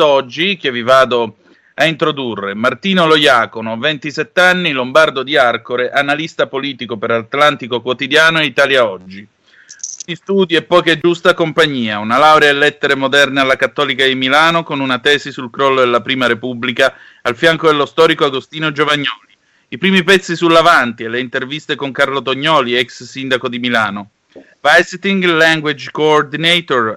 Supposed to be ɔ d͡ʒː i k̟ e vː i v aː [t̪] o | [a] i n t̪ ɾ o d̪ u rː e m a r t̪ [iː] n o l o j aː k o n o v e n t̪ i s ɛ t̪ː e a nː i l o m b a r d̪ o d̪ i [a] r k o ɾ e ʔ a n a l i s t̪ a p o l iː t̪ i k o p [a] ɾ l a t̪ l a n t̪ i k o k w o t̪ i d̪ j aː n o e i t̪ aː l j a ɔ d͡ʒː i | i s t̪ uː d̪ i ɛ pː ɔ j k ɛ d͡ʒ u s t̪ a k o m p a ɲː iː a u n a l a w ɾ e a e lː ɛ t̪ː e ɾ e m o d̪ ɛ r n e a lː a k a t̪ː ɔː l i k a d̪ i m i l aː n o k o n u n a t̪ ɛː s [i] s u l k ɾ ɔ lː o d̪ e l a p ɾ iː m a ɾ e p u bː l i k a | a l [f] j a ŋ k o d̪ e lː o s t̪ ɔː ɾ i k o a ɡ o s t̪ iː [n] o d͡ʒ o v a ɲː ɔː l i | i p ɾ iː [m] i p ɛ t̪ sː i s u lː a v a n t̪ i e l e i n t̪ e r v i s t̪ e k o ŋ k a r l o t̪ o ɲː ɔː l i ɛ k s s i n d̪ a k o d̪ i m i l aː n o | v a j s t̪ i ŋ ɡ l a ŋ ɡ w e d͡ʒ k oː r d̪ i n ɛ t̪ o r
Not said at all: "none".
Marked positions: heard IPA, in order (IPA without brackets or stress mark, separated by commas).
d̪, a, iː, a, e, i, f, n, m